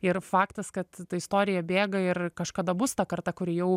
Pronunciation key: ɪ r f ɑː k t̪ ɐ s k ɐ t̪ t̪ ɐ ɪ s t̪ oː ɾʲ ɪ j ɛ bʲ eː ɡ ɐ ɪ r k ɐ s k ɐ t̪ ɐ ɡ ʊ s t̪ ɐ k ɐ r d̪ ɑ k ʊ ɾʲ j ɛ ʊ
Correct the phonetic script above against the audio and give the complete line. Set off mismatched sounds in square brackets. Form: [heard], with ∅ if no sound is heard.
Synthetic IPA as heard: ɪ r f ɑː k t̪ ɐ s k ɐ t̪ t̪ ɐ ɪ s t̪ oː ɾʲ ɪ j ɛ bʲ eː ɡ ɐ ɪ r k ɐ [ʃ] k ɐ [d̪] ɐ [b] ʊ s t̪ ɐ k ɐ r [t̪] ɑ k ʊ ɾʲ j ɛ ʊ